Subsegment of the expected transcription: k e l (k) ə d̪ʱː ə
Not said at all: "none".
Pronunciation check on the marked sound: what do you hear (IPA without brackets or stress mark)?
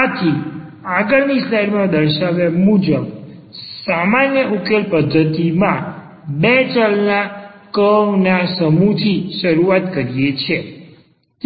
p